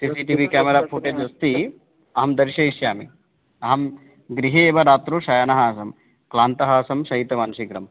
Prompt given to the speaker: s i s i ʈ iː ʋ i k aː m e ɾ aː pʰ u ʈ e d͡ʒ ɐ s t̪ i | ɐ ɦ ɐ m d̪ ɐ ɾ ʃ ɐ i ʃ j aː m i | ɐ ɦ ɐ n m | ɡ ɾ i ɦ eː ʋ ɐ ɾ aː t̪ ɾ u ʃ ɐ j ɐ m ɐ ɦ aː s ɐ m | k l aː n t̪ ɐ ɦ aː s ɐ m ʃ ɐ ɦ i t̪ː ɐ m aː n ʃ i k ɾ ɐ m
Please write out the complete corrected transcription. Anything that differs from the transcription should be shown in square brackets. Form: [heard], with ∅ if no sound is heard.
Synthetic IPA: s i s i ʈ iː ʋ i k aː m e ɾ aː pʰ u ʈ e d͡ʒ ɐ s t̪ i | ɐ ɦ ɐ m d̪ ɐ ɾ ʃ ɐ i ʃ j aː m i | ɐ ɦ ɐ [∅] m | ɡ ɾ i ɦ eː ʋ ɐ ɾ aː t̪ ɾ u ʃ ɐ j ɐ [n] ɐ ɦ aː s ɐ m | k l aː n t̪ ɐ ɦ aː s ɐ m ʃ ɐ ɦ i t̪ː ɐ m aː n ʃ i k ɾ ɐ m